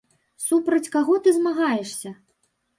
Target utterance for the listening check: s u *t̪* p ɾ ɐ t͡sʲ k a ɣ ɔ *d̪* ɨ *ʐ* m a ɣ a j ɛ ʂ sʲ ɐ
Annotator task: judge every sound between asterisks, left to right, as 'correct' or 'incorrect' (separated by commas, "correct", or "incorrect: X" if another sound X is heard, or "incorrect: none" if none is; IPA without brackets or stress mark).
incorrect: none, incorrect: t̪, incorrect: z